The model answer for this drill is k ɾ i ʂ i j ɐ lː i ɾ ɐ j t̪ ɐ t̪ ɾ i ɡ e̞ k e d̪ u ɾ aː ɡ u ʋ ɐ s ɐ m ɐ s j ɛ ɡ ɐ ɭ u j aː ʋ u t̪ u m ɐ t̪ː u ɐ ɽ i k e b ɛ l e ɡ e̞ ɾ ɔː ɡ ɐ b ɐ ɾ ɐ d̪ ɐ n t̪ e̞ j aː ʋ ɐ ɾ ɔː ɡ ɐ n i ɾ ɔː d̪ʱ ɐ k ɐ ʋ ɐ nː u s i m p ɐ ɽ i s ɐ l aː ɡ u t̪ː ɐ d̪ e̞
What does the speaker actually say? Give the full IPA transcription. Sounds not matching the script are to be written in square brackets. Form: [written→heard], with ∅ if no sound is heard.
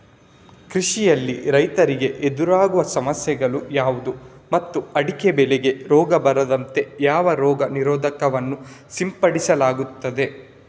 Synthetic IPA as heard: k ɾ i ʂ i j ɐ lː i ɾ ɐ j t̪ ɐ [t̪→∅] ɾ i ɡ e̞ [k→ʔ] e d̪ u ɾ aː ɡ u ʋ ɐ s ɐ m ɐ s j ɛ ɡ ɐ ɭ u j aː ʋ u [t̪→d̪] u m ɐ t̪ː u ɐ ɽ i k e b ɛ l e ɡ e̞ ɾ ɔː ɡ ɐ b ɐ ɾ ɐ d̪ ɐ n t̪ e̞ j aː ʋ ɐ ɾ ɔː ɡ ɐ n i ɾ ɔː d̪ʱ ɐ k ɐ ʋ ɐ nː u s i m p ɐ ɽ i s ɐ l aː ɡ u t̪ː ɐ d̪ e̞